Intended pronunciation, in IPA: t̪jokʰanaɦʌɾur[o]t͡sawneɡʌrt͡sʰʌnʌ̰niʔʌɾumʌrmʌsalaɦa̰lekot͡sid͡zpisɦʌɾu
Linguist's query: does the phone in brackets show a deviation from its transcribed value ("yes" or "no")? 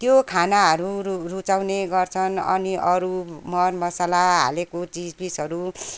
yes